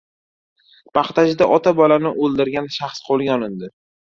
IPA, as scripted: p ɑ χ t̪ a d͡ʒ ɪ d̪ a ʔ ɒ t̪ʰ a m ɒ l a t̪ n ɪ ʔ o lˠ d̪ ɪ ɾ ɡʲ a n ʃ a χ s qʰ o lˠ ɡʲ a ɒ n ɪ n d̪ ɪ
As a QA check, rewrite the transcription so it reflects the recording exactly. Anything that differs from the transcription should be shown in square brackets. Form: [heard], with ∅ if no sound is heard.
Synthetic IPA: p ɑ χ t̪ a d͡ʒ ɪ d̪ a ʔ ɒ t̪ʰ a [b] ɒ l a [∅] n ɪ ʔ o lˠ d̪ ɪ ɾ ɡʲ a n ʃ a χ s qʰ o lˠ ɡʲ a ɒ n ɪ n d̪ ɪ